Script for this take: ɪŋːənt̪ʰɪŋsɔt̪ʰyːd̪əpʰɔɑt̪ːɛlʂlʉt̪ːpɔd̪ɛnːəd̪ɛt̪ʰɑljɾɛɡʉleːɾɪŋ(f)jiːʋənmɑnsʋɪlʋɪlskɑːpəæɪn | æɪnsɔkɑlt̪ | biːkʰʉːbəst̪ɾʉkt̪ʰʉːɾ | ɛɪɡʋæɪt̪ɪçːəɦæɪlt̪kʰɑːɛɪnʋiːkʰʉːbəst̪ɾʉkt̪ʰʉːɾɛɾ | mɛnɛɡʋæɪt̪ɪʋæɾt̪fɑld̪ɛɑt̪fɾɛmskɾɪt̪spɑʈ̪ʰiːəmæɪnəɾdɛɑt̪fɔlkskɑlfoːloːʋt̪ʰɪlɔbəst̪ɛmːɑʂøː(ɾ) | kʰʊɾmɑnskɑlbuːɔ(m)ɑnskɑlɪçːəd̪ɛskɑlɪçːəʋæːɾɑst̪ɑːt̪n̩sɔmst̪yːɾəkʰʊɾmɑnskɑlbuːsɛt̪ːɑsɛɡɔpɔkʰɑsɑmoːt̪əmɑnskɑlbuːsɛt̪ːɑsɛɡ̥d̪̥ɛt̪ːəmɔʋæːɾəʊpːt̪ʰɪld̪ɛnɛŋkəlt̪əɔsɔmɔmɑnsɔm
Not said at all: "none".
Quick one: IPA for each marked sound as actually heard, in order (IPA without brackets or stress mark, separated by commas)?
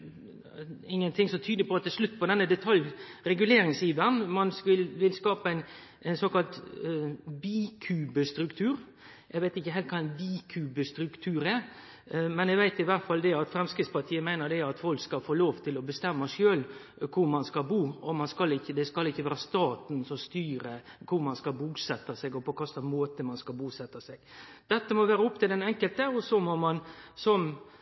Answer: s, l, m